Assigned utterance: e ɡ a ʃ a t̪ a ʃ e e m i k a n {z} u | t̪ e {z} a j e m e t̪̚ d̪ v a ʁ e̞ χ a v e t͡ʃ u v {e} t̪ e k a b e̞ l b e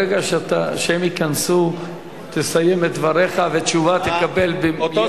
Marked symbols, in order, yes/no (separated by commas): no, no, no